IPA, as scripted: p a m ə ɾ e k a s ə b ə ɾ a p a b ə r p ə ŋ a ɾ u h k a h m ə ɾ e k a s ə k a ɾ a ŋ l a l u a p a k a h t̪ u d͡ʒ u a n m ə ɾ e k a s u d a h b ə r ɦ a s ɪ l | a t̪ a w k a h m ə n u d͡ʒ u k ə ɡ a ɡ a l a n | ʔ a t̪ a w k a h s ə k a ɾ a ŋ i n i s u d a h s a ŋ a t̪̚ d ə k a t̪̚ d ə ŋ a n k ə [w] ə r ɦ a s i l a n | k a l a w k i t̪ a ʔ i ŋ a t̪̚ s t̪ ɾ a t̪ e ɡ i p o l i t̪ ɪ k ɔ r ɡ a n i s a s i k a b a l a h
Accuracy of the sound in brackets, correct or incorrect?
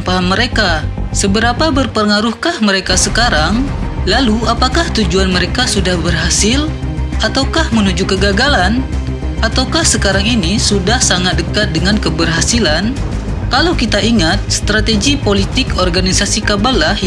incorrect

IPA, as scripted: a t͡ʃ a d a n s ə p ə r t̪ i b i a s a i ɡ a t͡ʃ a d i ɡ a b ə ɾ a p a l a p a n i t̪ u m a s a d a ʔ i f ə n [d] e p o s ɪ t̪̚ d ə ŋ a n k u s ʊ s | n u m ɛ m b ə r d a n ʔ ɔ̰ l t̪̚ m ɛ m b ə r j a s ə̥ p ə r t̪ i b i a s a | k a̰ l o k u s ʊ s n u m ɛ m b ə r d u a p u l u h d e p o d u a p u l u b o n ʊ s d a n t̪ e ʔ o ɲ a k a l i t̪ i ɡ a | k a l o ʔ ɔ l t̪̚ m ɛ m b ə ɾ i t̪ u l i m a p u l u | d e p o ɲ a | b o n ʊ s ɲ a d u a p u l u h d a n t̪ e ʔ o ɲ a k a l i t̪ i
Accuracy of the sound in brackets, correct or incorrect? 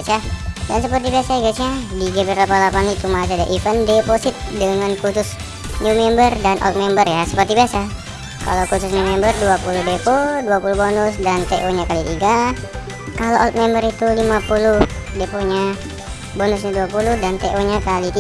correct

